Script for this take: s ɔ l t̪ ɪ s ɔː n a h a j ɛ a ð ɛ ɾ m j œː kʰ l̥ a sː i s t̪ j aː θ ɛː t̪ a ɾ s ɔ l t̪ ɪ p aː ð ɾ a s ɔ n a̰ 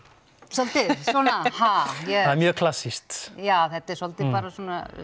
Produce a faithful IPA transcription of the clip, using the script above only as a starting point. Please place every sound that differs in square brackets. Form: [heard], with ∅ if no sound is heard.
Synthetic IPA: s ɔ l t̪ ɪ s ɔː n a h a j ɛ a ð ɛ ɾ m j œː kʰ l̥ a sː i s t̪ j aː θ [ɛ] t̪ [ɛ] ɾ s ɔ l t̪ ɪ p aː [∅] ɾ a s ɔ n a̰